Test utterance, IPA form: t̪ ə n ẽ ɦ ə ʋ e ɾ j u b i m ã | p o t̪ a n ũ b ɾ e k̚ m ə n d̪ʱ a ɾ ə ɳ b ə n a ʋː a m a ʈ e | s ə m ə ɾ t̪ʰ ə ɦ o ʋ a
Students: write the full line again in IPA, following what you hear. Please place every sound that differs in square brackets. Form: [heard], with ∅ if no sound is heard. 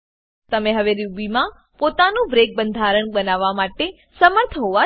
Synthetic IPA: t̪ ə [m] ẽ ɦ ə ʋ e ɾ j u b i m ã | p o t̪ a n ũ b ɾ e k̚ [b] ə n d̪ʱ a ɾ ə ɳ b ə n a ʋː a m a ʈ e | s ə m ə ɾ t̪ʰ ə ɦ o ʋ a